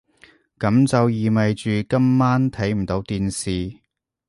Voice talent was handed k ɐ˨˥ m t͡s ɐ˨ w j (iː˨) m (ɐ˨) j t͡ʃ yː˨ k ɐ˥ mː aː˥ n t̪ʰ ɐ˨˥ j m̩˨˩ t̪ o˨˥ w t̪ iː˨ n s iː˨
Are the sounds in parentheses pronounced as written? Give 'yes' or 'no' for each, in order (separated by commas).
yes, yes